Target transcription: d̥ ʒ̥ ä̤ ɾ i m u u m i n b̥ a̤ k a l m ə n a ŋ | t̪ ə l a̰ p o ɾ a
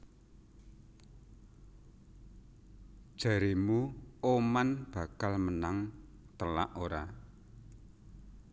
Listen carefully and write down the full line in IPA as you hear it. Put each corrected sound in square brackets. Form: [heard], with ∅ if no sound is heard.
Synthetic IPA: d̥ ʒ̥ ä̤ ɾ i m u [o] m [a] n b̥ a̤ k a l m ə n a ŋ | t̪ ə l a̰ [ʔ] o ɾ a

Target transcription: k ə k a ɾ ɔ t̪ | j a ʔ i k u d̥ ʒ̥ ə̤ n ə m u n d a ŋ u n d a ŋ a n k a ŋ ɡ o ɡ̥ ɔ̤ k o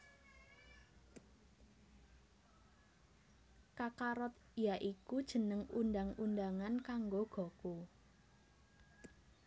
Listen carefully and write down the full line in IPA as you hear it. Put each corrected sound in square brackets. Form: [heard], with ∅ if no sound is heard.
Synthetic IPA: k [a] k a ɾ ɔ t̪ | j a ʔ i k u d̥ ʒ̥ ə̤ n ə [ŋ] u n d a ŋ u n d a ŋ a n k a ŋ ɡ o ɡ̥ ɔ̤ k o

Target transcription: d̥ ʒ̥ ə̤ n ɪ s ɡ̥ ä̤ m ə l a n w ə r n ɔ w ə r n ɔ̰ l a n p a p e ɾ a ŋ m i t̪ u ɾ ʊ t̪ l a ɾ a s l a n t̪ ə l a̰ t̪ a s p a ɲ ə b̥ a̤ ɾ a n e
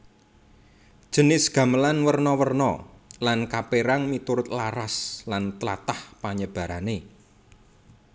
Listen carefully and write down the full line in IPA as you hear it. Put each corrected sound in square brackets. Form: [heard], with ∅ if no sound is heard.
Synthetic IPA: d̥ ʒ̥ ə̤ n ɪ s ɡ̥ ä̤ m ə l a n w ə r n ɔ w ə r n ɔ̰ l a n [k] a p e ɾ a ŋ m i t̪ u ɾ ʊ t̪ l a ɾ a s l a n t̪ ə l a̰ t̪ a [h] p a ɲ ə b̥ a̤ ɾ a n e

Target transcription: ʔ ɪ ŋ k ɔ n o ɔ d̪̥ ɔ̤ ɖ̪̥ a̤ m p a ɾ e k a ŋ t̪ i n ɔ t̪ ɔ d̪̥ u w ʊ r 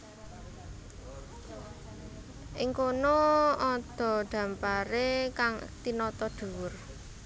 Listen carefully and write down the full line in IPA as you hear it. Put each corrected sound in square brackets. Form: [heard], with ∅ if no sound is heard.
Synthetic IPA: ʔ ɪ ŋ k [o] n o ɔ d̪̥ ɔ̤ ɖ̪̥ a̤ m p a ɾ e k a ŋ t̪ i n ɔ t̪ ɔ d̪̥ u w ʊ r

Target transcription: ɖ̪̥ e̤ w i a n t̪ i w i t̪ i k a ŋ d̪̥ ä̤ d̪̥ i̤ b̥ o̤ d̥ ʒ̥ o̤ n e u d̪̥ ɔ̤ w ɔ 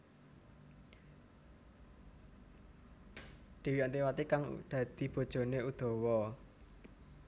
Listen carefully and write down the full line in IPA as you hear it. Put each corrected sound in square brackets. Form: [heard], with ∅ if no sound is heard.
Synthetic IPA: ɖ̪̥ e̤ w i a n t̪ i w [a] t̪ i k a ŋ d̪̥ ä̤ d̪̥ i̤ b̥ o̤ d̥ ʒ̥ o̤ n e u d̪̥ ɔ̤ w ɔ

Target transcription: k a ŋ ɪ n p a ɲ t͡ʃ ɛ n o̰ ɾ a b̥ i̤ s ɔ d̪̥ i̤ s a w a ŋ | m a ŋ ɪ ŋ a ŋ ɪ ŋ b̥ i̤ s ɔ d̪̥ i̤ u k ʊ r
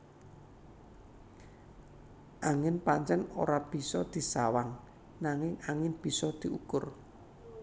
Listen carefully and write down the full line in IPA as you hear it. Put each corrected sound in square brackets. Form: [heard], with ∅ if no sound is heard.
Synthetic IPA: [ʔ] a ŋ ɪ n p a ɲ t͡ʃ ɛ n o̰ ɾ a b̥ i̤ s ɔ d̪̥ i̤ s a w a ŋ | [n] a ŋ ɪ ŋ a ŋ ɪ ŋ b̥ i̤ s ɔ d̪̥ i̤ u k ʊ r

